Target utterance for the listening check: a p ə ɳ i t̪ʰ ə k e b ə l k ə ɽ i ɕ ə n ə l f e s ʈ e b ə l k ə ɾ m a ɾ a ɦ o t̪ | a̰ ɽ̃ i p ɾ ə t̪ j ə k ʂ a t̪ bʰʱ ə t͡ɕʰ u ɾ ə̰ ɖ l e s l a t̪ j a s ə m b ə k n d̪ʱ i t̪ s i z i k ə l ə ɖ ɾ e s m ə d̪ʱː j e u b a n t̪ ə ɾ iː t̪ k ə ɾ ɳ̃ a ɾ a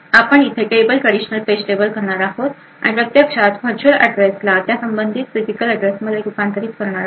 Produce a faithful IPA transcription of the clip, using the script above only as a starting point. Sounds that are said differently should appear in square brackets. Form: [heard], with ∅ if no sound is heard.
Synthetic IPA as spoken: a p ə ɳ i t̪ʰ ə k e b ə l k ə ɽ i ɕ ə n ə l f e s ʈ e b ə l k ə ɾ [ɳ] a ɾ a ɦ o t̪ | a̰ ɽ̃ i p ɾ ə t̪ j ə k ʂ a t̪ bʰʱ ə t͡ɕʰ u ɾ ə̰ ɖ [ɾ] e s l a t̪ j a s ə m b ə [∅] n d̪ʱ i t̪ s i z i k ə l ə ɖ ɾ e s m ə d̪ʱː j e u [p] a n t̪ ə ɾ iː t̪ k ə ɾ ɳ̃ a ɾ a